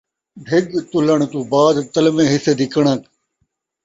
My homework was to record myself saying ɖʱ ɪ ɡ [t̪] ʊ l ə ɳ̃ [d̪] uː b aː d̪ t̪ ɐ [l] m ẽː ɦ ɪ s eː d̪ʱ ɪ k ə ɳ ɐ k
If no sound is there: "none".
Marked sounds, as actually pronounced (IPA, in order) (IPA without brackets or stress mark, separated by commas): t̪, t̪, l